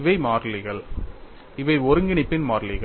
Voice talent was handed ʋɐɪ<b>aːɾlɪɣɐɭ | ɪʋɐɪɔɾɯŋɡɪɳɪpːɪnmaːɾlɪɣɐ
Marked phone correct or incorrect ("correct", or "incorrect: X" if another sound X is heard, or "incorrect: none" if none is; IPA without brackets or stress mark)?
incorrect: m